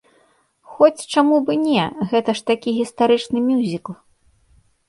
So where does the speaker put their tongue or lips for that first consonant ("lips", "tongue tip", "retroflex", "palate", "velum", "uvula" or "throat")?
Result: velum